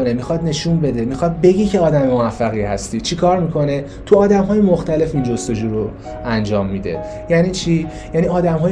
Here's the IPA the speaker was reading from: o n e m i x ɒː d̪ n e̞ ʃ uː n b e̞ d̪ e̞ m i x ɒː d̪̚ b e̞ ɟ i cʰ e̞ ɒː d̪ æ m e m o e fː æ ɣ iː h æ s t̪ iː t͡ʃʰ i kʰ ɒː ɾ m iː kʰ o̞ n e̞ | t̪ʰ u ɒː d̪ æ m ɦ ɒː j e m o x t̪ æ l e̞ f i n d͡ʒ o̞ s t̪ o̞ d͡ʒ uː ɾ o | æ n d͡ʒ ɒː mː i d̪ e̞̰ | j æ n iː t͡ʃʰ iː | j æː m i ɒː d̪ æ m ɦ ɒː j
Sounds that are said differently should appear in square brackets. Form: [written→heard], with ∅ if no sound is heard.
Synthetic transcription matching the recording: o n e m i x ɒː d̪ n e̞ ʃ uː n b e̞ d̪ e̞ m i x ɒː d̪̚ b e̞ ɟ i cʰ e̞ ɒː d̪ æ m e m o [e→æ] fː æ ɣ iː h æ s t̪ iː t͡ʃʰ i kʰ ɒː ɾ m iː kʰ o̞ n e̞ | t̪ʰ u ɒː d̪ æ m ɦ ɒː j e m o x t̪ æ l e̞ f i n d͡ʒ o̞ s t̪ o̞ d͡ʒ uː ɾ o | æ n d͡ʒ ɒː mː i d̪ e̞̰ | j æ n iː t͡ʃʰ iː | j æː [m→n] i ɒː d̪ æ m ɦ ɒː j